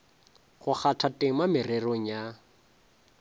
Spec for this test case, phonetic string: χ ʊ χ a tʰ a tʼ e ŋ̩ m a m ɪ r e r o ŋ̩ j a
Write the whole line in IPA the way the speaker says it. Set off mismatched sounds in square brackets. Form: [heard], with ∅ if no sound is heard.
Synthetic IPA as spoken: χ ʊ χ a tʰ a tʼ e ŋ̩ m a m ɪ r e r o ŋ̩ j a